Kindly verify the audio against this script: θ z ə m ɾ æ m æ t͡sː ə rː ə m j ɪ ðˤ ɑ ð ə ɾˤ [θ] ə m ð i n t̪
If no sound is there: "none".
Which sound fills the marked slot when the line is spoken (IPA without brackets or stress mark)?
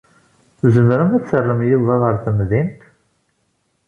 θ